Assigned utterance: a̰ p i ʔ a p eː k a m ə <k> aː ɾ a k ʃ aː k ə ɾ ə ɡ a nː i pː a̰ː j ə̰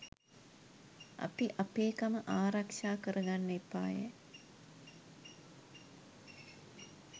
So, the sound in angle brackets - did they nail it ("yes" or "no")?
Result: no